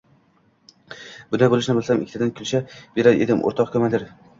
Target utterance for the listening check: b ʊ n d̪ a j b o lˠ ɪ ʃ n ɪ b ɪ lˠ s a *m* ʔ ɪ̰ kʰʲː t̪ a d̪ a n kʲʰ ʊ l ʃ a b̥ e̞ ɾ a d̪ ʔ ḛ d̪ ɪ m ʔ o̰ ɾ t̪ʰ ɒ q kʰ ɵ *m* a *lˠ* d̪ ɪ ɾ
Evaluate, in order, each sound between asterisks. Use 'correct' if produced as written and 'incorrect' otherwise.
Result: correct, correct, incorrect: none

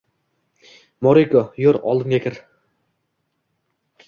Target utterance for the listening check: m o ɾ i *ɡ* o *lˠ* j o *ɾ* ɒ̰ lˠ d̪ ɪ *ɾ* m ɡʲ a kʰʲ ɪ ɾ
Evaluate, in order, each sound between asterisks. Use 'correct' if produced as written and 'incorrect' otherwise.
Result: incorrect: k, incorrect: none, correct, incorrect: none

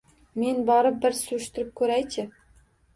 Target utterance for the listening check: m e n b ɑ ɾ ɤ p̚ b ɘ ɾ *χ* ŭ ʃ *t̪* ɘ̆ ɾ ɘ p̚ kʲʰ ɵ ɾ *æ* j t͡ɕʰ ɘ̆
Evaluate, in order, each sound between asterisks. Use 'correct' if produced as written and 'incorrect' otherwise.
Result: incorrect: s, correct, correct

